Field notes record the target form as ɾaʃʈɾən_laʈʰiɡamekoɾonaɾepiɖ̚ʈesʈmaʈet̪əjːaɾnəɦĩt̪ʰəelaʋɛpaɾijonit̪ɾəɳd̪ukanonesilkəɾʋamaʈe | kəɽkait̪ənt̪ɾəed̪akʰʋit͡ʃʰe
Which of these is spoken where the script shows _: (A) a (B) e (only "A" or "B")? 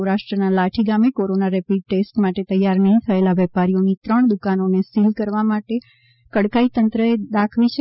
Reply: A